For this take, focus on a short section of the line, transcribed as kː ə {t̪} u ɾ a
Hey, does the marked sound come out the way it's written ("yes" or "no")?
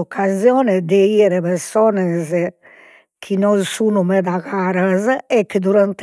no